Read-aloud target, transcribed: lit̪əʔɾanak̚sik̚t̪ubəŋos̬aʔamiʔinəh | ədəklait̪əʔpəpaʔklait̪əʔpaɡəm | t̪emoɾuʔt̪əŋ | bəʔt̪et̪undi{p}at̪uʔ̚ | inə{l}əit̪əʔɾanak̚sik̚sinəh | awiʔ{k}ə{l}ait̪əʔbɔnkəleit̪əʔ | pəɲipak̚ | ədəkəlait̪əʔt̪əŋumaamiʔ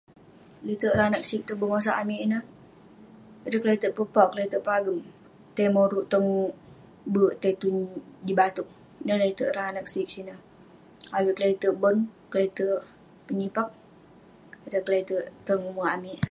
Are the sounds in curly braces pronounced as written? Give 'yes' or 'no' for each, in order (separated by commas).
no, yes, yes, yes